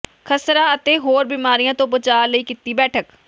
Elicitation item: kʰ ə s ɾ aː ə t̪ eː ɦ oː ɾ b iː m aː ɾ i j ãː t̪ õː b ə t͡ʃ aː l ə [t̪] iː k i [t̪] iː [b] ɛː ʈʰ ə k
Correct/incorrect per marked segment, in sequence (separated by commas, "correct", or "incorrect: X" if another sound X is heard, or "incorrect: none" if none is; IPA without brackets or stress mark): incorrect: none, correct, correct